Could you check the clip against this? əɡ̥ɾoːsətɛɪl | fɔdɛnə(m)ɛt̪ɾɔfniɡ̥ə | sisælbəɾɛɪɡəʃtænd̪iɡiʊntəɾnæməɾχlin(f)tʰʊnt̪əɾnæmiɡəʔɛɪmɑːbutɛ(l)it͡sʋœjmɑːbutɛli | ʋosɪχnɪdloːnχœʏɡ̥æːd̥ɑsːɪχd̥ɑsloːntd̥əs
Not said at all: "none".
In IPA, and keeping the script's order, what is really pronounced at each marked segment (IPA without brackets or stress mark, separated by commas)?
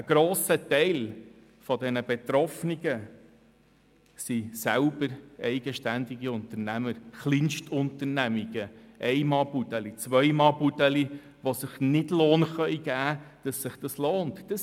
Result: b, ʃ, l